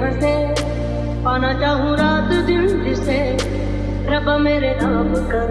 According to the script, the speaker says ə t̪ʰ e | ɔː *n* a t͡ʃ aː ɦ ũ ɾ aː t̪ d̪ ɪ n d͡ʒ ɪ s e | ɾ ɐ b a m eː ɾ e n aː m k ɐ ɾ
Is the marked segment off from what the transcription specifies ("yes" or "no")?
no